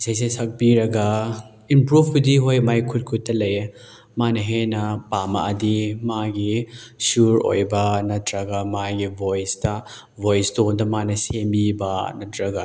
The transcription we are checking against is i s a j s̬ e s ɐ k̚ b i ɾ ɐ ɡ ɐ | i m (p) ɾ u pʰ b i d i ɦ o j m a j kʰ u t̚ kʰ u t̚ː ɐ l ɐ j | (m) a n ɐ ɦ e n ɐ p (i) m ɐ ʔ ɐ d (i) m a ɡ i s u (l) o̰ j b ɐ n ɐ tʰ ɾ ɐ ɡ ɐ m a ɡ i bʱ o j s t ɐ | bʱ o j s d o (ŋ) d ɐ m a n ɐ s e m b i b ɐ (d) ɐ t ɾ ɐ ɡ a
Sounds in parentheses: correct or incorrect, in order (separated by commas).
correct, correct, incorrect, correct, incorrect, incorrect, incorrect